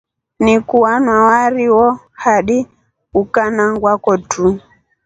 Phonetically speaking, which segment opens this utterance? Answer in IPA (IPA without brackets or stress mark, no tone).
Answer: n